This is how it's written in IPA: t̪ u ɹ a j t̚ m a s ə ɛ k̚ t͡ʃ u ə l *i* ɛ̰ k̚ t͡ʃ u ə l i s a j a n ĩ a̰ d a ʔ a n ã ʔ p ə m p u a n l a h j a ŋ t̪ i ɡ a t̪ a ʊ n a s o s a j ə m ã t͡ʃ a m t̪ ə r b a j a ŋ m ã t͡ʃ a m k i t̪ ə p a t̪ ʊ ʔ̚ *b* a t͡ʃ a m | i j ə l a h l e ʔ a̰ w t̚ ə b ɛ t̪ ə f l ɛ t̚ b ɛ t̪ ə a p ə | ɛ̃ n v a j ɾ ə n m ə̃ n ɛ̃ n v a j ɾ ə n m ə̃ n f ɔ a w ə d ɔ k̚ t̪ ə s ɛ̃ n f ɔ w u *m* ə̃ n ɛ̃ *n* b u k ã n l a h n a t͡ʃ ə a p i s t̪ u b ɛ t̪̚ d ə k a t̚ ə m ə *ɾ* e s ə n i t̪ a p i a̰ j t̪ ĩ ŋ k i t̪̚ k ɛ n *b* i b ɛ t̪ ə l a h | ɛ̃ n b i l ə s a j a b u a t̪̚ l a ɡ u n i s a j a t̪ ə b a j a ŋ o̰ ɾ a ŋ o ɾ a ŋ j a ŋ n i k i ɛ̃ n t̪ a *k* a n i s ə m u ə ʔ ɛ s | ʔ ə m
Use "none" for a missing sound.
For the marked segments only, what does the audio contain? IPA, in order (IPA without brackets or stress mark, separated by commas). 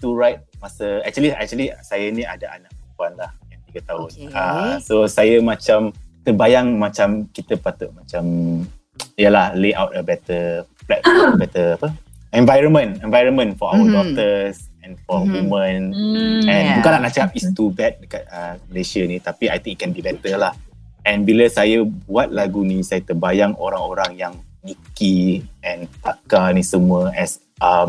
i, m, m, n, l, b, k